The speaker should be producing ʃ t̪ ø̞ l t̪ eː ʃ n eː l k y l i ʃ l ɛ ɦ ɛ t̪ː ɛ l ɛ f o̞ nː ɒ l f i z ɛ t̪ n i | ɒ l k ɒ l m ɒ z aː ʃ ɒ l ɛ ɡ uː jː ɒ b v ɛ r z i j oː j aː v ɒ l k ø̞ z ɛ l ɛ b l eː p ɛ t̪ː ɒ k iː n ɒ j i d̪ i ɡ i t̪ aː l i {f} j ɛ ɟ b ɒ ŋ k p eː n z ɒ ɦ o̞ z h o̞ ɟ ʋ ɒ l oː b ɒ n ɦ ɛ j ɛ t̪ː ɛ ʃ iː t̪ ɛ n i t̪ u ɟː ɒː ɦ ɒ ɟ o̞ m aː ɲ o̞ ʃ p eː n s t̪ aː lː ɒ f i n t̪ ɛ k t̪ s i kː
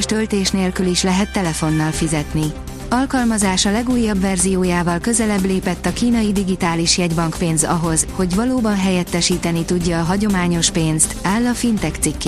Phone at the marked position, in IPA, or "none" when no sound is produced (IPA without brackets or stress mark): ʃ